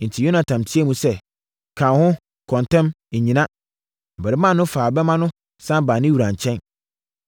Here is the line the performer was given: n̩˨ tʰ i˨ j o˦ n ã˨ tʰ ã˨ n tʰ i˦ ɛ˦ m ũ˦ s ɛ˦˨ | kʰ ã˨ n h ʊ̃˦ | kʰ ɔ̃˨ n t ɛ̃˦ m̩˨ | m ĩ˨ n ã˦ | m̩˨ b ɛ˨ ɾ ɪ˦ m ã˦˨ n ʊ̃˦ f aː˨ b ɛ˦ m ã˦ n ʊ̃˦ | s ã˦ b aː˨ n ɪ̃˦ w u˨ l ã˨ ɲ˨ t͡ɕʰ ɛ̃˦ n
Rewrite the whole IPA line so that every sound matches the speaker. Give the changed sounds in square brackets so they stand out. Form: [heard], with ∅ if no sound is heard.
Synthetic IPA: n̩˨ tʰ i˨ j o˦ n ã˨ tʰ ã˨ [m] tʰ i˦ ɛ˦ m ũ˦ s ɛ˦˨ | kʰ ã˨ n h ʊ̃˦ | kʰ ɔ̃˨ n t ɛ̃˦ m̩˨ | [ɲ] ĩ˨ n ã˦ | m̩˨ b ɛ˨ ɾ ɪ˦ m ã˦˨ n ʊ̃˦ f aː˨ b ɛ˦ m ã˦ n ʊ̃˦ | s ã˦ b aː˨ n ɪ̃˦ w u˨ [ɾ] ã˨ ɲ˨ t͡ɕʰ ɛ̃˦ n